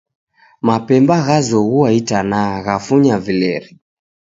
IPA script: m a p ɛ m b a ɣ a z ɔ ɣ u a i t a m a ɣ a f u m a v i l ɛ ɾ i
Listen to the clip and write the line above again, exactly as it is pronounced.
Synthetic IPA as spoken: m a p ɛ m b a ɣ a z ɔ ɣ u a i t a n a ɣ a f u ɲ a v i l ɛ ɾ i